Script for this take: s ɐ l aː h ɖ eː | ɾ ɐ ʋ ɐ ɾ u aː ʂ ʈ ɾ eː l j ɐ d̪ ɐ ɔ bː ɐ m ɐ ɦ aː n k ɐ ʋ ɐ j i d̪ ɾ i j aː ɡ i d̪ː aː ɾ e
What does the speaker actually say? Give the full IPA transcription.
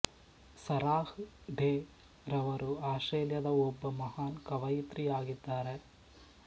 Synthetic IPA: s ɐ ɾ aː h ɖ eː | ɾ ɐ ʋ ɐ ɾ u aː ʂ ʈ ɾ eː l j ɐ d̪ ɐ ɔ bː ɐ m ɐ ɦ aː n k ɐ ʋ ɐ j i t̪ ɾ i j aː ɡ i d̪ː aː ɾ e